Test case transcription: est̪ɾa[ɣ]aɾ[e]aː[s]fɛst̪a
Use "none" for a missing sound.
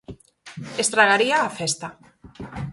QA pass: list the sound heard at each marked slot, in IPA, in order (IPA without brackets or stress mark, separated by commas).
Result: ɣ, i, none